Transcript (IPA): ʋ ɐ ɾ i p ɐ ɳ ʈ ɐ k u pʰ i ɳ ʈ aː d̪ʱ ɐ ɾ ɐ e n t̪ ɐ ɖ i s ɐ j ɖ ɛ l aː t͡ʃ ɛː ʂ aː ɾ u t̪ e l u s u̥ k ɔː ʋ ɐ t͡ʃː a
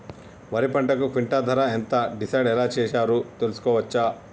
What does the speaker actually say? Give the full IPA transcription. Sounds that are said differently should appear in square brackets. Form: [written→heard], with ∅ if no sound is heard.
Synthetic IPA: ʋ ɐ ɾ i p ɐ ɳ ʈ ɐ k u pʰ i ɳ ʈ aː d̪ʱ ɐ ɾ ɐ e n t̪ ɐ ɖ i s ɐ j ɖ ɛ l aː t͡ʃ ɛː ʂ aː ɾ u t̪ e l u s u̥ k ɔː ʋ ɐ t͡ʃː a